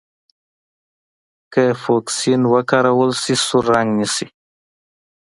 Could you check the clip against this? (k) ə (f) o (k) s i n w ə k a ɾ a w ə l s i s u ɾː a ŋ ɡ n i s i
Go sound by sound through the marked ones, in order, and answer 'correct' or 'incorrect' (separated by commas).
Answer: correct, correct, correct